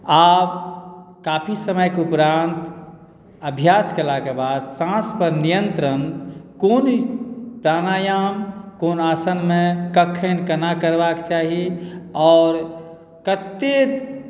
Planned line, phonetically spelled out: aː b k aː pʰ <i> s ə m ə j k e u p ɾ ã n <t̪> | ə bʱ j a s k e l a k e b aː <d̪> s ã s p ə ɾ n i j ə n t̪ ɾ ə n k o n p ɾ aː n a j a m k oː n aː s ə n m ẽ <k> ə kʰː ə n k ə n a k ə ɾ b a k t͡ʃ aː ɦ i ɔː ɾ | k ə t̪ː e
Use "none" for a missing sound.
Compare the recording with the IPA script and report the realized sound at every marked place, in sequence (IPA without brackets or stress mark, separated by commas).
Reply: i, t̪, d̪, k